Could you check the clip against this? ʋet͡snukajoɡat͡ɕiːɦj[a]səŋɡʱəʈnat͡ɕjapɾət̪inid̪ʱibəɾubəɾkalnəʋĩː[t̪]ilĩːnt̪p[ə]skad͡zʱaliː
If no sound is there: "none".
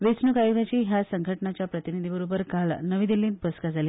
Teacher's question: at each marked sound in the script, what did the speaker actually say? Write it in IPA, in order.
a, d̪, ə

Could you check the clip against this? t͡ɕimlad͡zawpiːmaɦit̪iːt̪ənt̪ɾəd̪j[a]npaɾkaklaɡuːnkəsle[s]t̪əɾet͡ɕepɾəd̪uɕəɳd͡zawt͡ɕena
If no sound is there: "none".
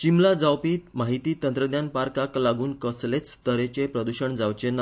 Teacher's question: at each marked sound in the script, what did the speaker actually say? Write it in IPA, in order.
a, t͡s

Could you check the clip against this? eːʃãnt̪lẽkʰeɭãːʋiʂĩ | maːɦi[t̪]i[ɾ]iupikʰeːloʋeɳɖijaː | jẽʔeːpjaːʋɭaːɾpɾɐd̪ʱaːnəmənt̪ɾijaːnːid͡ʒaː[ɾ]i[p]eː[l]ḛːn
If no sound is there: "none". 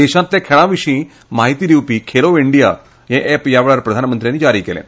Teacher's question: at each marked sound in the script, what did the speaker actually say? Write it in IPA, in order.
t̪, ɾ, ɾ, k, l

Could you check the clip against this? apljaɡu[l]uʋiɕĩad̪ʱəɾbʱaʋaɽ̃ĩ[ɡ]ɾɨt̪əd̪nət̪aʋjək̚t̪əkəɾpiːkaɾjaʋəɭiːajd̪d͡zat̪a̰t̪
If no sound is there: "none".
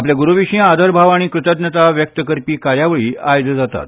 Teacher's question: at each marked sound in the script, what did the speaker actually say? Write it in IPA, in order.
ɾ, k

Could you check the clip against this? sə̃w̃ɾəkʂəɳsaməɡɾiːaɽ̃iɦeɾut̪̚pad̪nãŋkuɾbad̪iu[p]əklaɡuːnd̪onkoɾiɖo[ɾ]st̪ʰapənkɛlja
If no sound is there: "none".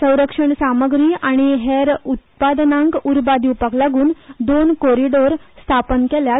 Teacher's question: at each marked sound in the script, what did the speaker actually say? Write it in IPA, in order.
p, ɾ

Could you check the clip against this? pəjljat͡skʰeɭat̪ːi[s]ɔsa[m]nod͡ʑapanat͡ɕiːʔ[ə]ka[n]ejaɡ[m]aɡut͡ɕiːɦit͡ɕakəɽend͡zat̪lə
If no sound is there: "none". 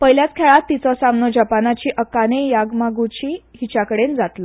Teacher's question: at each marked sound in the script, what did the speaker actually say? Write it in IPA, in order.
t͡s, m, ə, n, m

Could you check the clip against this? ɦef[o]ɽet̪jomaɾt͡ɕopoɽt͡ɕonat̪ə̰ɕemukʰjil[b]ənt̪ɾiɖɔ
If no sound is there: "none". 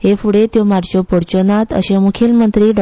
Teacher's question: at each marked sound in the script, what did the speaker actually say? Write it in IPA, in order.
u, m

